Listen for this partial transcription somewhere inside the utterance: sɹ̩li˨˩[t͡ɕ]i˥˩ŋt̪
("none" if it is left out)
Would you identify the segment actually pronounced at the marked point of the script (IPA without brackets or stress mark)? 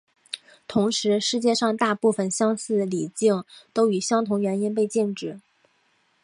t͡ɕ